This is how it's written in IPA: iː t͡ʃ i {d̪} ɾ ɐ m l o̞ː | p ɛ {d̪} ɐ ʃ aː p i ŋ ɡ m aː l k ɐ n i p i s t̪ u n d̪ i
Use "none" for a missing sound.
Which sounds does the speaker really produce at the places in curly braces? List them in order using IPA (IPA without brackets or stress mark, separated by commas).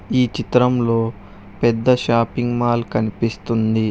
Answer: t̪, d̪ː